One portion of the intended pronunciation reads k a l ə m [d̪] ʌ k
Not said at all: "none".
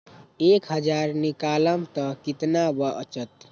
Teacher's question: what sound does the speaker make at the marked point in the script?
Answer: t̪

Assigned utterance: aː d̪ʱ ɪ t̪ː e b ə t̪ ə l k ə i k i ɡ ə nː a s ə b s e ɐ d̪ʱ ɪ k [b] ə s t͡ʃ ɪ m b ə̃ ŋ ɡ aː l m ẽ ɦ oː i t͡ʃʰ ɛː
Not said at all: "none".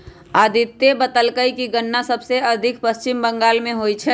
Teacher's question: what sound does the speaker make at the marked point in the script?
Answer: p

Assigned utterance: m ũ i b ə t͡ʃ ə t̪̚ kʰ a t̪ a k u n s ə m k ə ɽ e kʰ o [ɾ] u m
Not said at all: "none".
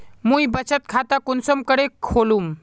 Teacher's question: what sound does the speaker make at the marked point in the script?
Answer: l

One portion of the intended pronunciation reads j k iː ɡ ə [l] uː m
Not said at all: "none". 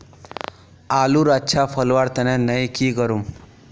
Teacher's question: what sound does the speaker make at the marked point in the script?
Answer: ɾ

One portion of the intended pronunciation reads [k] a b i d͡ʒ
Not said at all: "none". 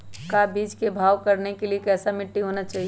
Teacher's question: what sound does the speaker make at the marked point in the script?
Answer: k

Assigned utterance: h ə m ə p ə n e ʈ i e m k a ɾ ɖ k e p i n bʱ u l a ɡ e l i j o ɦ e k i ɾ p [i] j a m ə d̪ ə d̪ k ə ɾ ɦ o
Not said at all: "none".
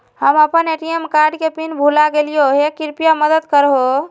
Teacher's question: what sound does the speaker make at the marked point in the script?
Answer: i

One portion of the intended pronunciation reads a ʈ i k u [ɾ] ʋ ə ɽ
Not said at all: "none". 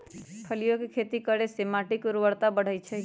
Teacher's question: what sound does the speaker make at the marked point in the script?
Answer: ɾ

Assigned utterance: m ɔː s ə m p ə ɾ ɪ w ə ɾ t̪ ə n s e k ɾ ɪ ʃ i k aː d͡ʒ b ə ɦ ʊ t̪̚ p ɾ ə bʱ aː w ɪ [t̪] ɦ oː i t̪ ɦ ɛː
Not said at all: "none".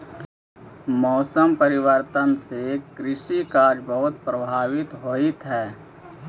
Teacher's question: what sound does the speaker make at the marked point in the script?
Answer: t̪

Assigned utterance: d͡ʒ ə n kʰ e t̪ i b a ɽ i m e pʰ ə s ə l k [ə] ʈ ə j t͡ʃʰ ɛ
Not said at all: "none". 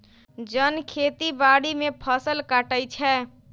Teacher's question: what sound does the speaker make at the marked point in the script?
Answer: a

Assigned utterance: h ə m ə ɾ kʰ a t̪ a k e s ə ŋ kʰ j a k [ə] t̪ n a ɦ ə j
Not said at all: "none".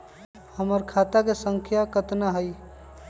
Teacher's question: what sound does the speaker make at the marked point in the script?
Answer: ə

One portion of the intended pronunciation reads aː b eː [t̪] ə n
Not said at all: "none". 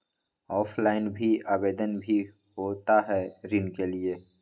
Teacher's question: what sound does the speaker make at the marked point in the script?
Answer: d̪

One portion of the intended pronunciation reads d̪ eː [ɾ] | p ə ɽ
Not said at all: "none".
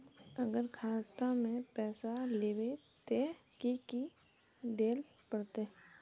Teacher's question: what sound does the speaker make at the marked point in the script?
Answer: l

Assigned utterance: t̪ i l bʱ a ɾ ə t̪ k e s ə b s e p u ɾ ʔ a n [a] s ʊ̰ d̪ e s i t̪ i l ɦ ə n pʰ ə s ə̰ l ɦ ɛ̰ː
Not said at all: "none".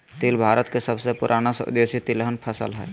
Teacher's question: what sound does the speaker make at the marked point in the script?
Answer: a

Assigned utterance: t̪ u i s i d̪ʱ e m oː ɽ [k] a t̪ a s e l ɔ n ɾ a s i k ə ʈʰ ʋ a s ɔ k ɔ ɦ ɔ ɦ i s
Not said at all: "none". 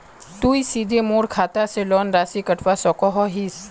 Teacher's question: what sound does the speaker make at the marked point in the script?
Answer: kʰ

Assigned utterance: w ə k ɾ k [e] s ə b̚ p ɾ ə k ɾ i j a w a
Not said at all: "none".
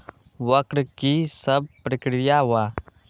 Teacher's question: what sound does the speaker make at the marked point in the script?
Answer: i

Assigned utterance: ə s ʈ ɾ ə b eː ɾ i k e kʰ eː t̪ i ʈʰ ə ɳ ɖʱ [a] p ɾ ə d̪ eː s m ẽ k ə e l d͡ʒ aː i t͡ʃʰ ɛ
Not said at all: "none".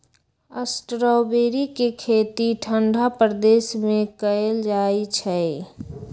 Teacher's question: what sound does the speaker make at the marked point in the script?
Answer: a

